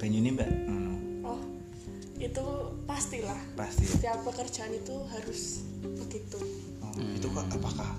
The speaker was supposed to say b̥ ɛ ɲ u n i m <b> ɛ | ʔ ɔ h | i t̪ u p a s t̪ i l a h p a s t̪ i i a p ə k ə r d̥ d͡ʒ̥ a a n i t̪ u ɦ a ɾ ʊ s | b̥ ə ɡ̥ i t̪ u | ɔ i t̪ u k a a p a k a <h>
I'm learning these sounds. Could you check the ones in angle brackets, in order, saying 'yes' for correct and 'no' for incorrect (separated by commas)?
yes, yes